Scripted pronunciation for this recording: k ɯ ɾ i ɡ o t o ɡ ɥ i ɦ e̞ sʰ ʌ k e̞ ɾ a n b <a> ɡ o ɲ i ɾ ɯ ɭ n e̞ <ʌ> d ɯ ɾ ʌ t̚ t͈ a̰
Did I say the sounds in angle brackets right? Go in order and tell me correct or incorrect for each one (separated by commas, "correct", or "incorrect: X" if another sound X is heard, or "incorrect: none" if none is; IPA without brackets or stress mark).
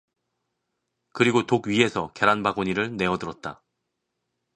correct, correct